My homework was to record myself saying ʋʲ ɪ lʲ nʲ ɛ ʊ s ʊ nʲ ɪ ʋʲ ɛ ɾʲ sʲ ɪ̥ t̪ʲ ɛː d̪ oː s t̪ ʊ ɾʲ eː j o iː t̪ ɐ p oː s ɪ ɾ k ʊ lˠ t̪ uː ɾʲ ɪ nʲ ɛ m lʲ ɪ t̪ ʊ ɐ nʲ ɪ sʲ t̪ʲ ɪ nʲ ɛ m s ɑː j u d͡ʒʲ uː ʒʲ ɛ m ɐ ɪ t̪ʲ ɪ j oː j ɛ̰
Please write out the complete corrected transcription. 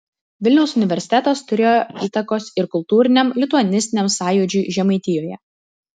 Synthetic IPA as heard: ʋʲ ɪ lʲ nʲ ɛ ʊ s ʊ nʲ ɪ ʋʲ ɛ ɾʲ sʲ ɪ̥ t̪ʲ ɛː t̪ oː s t̪ ʊ ɾʲ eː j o iː t̪ ɐ k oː s ɪ ɾ k ʊ lˠ t̪ uː ɾʲ ɪ nʲ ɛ m lʲ ɪ t̪ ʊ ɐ nʲ ɪ sʲ t̪ʲ ɪ nʲ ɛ m s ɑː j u d͡ʒʲ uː ʒʲ ɛ m ɐ ɪ t̪ʲ ɪ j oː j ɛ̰